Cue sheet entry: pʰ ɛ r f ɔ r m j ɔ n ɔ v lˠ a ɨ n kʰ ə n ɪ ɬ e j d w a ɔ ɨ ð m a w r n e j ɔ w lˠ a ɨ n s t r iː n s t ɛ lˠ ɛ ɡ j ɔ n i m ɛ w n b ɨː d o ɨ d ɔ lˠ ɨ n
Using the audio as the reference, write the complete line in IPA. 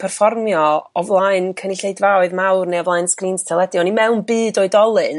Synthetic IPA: pʰ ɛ r f ɔ r m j ɔ ɔ v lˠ a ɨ n kʰ ə n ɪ ɬ e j d v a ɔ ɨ ð m a w r n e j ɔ v lˠ a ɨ n s k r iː n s tʰ ɛ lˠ ɛ d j ɔ n i m ɛ w n b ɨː d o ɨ d ɔ lˠ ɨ n